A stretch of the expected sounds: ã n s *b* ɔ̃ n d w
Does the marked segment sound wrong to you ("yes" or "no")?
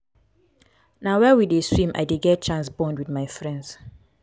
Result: no